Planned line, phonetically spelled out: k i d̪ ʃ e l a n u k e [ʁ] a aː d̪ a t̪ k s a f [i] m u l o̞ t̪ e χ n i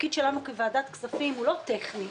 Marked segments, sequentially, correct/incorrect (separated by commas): incorrect, correct